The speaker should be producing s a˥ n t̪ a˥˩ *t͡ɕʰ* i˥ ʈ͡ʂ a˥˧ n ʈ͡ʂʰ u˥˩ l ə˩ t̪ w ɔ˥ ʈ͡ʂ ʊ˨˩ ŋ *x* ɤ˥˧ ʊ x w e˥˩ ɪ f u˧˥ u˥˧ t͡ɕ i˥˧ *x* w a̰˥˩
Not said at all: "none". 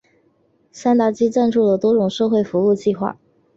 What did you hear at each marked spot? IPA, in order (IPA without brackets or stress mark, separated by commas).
t͡ɕ, ʂ, x